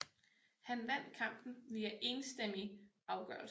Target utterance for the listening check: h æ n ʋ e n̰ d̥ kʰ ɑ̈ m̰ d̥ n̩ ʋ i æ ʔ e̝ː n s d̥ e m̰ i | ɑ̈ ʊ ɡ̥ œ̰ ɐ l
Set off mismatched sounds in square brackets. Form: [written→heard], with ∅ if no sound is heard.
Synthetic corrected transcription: h æ n ʋ [e→æ] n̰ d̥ kʰ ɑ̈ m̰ [d̥→b̥] n̩ ʋ i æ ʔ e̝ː n s d̥ e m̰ i | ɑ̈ ʊ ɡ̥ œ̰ ɐ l